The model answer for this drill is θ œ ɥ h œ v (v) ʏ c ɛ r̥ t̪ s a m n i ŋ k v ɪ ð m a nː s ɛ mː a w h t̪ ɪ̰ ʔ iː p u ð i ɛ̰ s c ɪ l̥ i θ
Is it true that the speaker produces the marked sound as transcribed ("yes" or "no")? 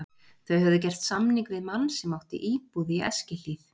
no